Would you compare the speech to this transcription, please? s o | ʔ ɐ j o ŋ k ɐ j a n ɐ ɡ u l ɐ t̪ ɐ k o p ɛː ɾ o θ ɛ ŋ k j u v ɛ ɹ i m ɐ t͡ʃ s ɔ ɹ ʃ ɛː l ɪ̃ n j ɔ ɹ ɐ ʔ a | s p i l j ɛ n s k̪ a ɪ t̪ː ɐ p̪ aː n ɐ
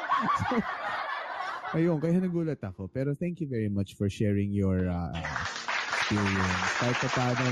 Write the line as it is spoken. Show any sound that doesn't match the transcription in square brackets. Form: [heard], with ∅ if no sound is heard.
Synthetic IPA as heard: s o | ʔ ɐ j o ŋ k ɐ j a n ɐ ɡ [uː] l ɐ t̪ ɐ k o p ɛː ɾ o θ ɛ ŋ k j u v ɛ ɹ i m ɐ t͡ʃ [f] ɔ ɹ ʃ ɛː [ɹ] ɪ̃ [ŋ] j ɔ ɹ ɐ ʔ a | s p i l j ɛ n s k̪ a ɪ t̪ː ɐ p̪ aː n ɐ